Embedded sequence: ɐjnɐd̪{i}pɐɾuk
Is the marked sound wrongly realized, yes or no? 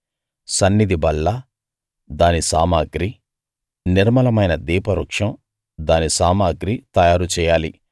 yes